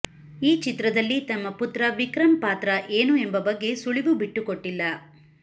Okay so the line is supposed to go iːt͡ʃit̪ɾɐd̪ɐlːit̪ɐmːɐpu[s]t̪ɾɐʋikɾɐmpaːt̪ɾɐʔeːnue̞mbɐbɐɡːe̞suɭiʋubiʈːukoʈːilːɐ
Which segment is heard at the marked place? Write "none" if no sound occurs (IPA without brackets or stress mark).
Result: none